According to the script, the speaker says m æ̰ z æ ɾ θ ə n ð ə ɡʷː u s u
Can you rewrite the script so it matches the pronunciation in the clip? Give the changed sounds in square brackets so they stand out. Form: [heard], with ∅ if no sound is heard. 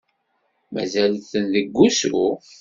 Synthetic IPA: m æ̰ z æ [l] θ ə n ð ə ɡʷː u s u